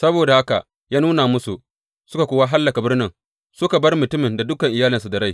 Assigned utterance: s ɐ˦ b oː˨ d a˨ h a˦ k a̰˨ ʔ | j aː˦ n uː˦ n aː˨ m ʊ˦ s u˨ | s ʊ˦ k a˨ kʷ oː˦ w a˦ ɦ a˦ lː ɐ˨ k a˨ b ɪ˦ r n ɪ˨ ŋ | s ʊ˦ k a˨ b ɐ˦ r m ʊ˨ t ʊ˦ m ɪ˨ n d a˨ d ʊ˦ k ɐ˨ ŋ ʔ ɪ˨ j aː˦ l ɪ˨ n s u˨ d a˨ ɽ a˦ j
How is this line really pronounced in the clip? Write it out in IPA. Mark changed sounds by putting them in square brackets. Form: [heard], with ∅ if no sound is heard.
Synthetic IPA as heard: s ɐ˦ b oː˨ d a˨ h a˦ k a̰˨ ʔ | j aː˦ n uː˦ n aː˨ m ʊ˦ s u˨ | s ʊ˦ k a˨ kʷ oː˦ w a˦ ɦ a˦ lː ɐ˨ k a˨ b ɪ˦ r n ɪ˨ ŋ | s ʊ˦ k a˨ b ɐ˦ r m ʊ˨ t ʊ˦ m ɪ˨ n d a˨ d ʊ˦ k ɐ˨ ŋ ʔ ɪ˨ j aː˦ l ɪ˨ n s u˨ d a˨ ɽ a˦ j